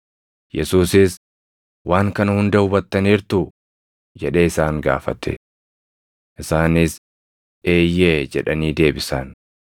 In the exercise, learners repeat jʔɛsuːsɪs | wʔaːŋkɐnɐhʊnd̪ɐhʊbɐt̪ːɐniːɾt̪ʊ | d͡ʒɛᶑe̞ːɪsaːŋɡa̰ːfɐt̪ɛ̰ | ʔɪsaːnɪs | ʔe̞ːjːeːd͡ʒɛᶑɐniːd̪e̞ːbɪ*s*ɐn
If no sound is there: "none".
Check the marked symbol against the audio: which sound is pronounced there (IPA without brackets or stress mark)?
s